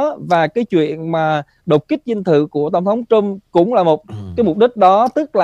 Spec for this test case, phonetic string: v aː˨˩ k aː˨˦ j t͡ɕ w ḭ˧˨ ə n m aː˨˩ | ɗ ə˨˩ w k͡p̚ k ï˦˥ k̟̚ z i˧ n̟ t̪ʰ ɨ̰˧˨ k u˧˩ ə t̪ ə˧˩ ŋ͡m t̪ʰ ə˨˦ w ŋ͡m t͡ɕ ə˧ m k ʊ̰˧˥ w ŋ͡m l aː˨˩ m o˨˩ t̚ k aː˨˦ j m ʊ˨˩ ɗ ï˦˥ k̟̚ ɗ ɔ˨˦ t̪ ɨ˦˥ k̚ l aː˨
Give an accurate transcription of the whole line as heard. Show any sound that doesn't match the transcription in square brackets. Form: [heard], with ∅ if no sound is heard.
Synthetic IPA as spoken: v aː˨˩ k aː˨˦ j t͡ɕ w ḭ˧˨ ə n m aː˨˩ | ɗ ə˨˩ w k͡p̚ k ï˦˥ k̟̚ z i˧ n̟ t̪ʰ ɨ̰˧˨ k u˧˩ ə t̪ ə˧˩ ŋ͡m t̪ʰ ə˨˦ w ŋ͡m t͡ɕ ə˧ m k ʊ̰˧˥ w ŋ͡m l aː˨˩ m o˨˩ t̚ k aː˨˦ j m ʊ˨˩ ɗ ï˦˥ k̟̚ ɗ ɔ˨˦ t̪ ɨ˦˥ k̚ l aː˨